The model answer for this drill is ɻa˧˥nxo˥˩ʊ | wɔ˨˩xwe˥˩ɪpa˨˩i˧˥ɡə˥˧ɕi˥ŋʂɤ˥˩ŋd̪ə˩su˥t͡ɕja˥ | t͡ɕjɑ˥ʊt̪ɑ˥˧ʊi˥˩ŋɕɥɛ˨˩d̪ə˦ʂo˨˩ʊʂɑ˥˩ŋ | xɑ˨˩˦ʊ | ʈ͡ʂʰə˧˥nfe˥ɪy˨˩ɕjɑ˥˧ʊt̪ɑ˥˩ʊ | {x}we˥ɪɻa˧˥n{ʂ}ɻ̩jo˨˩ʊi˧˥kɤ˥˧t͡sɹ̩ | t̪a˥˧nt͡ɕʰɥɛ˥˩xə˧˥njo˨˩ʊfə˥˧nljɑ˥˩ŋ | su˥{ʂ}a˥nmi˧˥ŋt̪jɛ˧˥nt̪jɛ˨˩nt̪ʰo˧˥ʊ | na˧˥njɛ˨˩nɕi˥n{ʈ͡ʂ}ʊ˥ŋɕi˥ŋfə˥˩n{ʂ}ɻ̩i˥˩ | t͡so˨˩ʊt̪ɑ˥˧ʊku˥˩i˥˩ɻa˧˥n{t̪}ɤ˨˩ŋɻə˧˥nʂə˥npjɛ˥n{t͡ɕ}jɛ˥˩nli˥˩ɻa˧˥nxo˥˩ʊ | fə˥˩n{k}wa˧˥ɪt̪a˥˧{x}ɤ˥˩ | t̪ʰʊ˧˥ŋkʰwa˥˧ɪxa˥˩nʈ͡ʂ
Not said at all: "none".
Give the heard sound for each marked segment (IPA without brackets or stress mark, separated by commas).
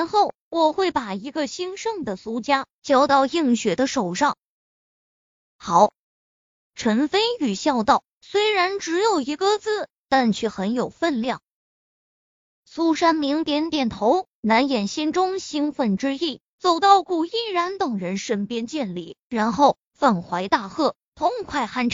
s, ʈ͡ʂ, ʂ, ʈ͡ʂ, ʈ͡ʂ, t̪, t͡ɕ, x, x